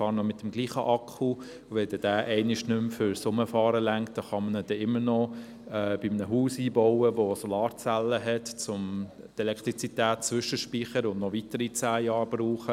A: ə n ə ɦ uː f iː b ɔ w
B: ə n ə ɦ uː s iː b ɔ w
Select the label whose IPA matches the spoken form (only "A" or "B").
B